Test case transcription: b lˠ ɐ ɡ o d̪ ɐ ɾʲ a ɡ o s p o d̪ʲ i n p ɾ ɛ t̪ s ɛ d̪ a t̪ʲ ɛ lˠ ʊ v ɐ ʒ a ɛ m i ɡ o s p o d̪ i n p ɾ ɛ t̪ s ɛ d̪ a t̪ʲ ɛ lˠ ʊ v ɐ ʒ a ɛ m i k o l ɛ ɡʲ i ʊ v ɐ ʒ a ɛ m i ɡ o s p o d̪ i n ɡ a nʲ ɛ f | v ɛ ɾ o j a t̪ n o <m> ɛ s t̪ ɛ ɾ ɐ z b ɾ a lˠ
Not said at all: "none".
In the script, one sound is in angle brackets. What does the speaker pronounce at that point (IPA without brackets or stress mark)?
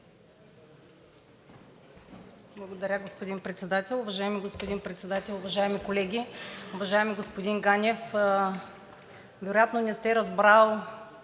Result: n